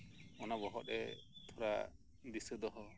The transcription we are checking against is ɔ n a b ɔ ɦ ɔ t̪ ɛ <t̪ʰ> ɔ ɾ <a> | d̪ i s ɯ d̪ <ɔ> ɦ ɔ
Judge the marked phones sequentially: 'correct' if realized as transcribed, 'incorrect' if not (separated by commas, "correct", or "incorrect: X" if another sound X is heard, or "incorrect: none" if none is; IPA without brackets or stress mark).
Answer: correct, correct, correct